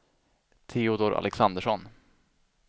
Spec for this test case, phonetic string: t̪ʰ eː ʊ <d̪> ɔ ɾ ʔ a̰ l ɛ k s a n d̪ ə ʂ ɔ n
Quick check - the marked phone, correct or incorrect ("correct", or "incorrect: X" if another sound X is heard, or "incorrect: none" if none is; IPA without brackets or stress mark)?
correct